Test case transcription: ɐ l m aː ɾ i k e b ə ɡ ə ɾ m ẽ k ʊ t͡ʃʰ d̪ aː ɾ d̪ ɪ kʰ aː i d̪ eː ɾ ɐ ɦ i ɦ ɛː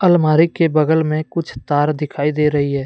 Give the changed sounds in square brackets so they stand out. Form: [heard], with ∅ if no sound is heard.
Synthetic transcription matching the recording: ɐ l m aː ɾ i k e b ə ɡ ə [l] m ẽ k ʊ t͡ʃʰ [t̪] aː ɾ d̪ ɪ kʰ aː i d̪ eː ɾ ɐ ɦ i ɦ ɛː